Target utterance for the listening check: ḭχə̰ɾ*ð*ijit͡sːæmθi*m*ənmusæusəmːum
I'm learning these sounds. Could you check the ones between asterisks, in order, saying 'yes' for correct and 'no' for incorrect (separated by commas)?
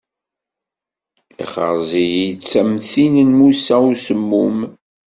no, no